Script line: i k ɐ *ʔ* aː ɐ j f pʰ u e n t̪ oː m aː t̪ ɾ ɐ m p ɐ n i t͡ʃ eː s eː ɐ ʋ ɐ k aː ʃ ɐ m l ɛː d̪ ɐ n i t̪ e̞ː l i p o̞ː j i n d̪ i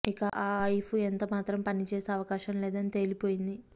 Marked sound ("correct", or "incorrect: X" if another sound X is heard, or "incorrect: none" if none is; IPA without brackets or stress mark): correct